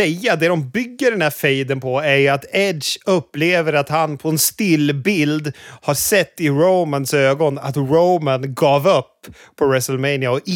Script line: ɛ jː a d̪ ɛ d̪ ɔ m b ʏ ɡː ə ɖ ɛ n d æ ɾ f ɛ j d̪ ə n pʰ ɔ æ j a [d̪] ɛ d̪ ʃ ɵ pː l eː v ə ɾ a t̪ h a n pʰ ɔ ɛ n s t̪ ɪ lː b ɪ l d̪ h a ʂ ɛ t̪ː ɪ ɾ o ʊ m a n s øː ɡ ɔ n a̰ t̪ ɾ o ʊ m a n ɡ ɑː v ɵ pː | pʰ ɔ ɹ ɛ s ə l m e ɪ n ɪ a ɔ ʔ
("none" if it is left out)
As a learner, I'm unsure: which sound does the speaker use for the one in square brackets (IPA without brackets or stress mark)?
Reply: t̪